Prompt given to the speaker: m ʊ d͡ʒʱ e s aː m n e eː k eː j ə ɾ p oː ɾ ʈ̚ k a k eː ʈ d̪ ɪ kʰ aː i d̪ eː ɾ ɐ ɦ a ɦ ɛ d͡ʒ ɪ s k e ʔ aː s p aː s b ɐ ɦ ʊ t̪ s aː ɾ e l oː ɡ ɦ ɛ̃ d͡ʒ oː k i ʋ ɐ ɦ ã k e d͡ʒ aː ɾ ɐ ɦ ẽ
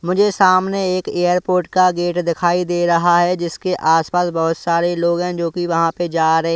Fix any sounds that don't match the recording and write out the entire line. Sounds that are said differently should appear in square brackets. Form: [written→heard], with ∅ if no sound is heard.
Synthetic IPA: m ʊ d͡ʒʱ e s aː m n e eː k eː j ə ɾ p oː ɾ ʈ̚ k a [k→ɡ] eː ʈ d̪ ɪ kʰ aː i d̪ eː ɾ ɐ ɦ a ɦ ɛ d͡ʒ ɪ s k e ʔ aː s p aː s b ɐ ɦ ʊ t̪ s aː ɾ e l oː ɡ ɦ ɛ̃ d͡ʒ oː k i ʋ ɐ ɦ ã [k→p] e d͡ʒ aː ɾ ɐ ɦ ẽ